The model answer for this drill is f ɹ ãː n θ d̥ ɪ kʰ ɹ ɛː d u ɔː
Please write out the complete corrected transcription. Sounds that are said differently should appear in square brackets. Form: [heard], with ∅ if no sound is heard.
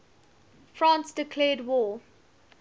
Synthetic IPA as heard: f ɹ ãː n [s] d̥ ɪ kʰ [l] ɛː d [w] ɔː